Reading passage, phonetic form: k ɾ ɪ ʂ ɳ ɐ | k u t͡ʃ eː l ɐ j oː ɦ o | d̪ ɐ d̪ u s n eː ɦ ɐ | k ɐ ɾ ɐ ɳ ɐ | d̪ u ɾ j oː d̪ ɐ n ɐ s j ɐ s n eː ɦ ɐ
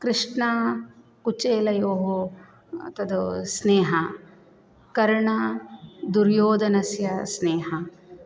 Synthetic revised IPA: k ɾ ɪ ʂ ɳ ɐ | k u t͡ʃ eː l ɐ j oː ɦ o | t̪ ɐ d̪ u s n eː ɦ ɐ | k ɐ ɾ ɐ ɳ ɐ | d̪ u ɾ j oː d̪ ɐ n ɐ s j ɐ s n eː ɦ ɐ